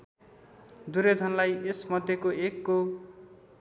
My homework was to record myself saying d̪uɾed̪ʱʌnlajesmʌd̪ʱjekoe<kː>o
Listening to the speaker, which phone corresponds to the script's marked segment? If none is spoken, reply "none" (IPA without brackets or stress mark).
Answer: kː